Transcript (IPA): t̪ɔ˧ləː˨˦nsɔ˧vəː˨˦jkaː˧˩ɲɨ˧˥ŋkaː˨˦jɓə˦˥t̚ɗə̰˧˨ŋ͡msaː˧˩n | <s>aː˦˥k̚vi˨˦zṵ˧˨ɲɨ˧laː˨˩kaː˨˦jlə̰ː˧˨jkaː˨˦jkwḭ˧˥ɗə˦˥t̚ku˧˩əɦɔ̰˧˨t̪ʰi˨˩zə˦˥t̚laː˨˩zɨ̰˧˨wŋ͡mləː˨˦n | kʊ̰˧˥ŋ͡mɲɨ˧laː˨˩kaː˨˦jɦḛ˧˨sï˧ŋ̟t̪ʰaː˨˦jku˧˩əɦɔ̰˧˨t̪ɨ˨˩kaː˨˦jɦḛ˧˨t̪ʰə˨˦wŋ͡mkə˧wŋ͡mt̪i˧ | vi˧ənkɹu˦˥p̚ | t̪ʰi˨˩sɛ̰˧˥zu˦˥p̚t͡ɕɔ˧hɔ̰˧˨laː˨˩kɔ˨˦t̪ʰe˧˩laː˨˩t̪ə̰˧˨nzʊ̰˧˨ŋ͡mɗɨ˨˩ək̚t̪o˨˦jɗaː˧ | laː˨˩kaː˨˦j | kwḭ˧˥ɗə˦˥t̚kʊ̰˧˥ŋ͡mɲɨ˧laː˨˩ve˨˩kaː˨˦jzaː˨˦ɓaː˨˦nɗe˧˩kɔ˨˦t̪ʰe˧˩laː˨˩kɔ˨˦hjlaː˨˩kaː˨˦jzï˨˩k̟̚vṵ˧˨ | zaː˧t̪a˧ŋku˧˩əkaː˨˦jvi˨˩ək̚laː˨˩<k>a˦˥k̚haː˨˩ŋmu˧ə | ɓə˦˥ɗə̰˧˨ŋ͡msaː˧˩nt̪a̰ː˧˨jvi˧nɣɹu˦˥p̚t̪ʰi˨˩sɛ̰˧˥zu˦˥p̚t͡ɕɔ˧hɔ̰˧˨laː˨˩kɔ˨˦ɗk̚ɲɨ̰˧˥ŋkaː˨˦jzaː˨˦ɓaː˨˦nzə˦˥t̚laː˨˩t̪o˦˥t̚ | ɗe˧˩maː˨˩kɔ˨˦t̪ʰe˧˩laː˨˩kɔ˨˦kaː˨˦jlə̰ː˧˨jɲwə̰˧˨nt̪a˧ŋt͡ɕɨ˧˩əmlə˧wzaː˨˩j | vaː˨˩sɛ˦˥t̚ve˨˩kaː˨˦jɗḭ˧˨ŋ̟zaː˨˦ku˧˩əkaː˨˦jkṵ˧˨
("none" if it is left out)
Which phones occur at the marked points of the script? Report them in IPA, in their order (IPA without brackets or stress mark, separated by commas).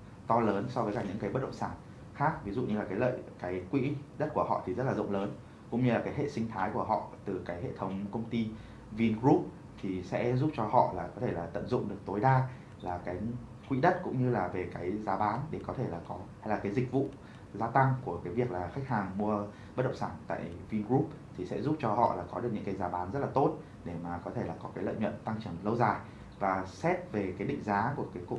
x, x